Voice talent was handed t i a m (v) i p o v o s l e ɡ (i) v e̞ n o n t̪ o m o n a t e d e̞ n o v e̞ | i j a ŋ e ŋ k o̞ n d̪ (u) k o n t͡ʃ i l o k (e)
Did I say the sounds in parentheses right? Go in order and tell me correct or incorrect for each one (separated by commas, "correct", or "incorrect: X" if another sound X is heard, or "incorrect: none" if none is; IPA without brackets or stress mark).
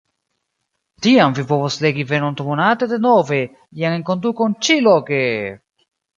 correct, correct, correct, correct